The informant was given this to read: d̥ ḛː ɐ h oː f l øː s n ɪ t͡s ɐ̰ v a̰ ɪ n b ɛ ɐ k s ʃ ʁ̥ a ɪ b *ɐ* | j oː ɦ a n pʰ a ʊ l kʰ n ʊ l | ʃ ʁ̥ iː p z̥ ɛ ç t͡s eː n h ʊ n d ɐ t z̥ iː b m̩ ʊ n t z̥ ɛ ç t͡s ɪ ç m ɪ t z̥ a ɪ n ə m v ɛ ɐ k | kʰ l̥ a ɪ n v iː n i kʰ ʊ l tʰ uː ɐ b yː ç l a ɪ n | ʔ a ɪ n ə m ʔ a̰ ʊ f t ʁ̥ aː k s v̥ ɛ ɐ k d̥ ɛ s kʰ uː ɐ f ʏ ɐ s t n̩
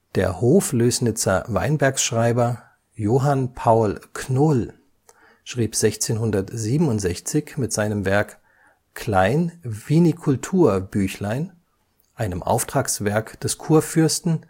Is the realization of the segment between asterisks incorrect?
no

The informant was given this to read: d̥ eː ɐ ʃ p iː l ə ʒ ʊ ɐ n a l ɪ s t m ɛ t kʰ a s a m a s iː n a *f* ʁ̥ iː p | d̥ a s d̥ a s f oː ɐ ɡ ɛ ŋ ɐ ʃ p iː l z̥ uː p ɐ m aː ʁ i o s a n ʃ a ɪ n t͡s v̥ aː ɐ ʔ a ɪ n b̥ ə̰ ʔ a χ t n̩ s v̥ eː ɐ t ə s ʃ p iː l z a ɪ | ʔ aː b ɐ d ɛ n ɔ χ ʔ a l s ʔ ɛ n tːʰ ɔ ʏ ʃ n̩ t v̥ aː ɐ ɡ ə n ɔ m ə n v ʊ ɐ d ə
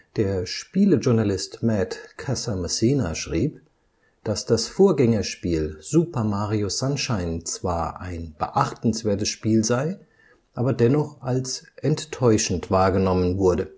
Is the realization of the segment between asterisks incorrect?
yes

